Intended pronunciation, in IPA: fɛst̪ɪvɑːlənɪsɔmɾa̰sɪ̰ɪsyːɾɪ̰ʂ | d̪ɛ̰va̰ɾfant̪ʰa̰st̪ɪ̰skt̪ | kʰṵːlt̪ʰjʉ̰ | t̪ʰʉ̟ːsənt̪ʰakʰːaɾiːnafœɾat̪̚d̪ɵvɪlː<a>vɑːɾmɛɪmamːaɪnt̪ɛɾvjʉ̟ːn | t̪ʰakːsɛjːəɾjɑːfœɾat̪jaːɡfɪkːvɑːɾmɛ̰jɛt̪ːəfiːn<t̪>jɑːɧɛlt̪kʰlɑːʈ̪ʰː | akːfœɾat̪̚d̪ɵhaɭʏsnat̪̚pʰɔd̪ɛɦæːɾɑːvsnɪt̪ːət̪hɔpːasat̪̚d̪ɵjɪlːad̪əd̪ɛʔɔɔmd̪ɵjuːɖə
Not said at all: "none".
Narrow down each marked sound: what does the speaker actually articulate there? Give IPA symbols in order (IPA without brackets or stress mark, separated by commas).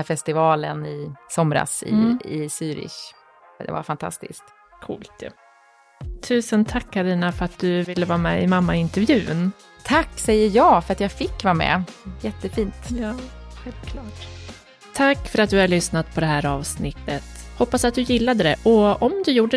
ə, t̪